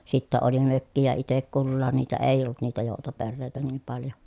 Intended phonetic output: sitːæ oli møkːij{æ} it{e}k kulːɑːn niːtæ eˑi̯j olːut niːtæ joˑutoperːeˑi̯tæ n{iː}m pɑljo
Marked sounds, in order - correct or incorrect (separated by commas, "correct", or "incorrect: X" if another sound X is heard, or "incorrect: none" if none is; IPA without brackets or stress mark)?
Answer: correct, correct, correct